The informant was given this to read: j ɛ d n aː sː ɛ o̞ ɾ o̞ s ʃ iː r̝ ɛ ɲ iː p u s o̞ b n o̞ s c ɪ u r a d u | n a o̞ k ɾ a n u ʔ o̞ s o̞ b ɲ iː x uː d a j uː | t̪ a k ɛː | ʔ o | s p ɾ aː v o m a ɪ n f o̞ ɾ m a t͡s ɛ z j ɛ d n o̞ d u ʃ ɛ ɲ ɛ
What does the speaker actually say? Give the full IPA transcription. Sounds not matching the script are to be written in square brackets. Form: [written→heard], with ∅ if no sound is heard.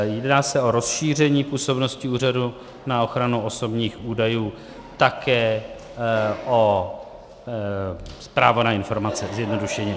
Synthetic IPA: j ɛ d n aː [sː→s] ɛ o̞ ɾ o̞ s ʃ iː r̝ ɛ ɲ iː p [u→uː] s o̞ b n o̞ s c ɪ [u→uː] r a d u | n a o̞ [k→x] ɾ a n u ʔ o̞ s o̞ b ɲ iː x uː d a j uː | t̪ a k ɛː | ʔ o | s p ɾ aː v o [m→n] a ɪ n f o̞ ɾ m a t͡s ɛ z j ɛ d n o̞ d u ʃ ɛ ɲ ɛ